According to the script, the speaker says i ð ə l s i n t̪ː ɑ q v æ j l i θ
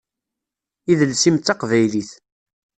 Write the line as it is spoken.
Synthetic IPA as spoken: i ð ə l s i m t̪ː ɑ q v æ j l i θ

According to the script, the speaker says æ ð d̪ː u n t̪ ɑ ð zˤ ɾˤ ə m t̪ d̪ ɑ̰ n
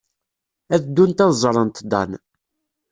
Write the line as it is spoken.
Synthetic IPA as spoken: æ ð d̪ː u n t̪ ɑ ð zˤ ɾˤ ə n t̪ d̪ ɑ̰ n

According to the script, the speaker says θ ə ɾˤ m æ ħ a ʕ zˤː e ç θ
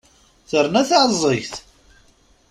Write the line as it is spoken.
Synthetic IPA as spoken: θ ə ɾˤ n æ θ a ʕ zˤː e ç θ

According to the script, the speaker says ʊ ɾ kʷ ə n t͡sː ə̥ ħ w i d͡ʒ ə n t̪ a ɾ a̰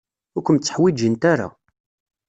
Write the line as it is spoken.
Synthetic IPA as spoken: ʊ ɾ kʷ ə m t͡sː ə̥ ħ w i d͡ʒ ə n t̪ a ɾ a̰

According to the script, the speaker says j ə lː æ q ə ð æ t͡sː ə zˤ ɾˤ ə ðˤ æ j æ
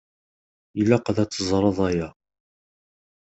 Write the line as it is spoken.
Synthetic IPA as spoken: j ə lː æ q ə ð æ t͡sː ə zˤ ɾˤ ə ðˤ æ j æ

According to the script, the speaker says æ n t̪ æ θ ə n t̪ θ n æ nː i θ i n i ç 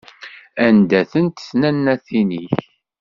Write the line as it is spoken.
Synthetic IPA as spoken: æ n d̪ æ θ ə n t̪ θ n æ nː æ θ i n i ç

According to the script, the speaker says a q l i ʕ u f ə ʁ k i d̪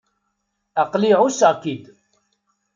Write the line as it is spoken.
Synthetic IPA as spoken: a q l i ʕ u s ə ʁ k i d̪

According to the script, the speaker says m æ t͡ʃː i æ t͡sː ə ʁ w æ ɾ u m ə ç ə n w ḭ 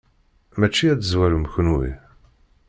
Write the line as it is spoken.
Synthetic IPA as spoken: m æ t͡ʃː i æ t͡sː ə z w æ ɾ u m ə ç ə n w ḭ

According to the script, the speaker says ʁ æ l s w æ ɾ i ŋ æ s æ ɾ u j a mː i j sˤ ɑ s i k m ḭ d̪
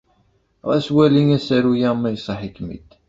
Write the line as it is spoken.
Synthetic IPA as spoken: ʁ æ s w æ l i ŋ æ s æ ɾ u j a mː æ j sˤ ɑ ħ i k m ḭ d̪

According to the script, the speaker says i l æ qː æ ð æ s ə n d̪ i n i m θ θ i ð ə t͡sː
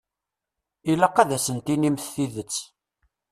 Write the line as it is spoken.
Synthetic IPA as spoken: i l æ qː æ ð æ s ə n t̪ i n i m θ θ i ð ə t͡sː

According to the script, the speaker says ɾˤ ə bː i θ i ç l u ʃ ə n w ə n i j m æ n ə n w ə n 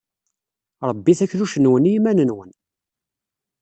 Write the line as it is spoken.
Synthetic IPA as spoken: ɾˤ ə bː i θ æ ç l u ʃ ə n w ə n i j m æ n ə n w ə n

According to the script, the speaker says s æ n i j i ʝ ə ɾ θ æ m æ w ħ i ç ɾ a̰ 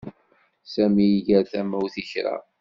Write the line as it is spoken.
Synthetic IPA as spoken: s æ m i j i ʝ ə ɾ θ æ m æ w θ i ç ɾ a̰

